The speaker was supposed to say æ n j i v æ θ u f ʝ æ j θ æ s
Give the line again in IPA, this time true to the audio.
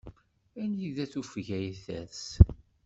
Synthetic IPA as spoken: æ n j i ð æ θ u f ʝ æ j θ æ s